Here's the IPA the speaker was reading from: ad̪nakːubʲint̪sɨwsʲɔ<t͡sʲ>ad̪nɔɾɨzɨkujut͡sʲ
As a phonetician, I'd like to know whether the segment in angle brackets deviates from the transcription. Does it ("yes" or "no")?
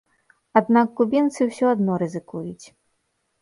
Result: yes